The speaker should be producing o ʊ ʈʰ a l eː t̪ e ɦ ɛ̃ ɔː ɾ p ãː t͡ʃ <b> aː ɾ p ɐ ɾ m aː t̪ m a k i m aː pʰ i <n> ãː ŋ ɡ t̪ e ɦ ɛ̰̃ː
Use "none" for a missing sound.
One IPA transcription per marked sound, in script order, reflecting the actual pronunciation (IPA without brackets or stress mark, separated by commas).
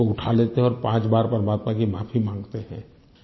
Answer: b, m